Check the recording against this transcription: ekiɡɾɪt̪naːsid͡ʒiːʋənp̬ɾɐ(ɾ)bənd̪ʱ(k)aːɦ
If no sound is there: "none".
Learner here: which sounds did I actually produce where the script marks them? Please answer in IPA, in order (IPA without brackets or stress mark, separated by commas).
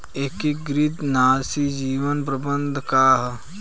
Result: none, k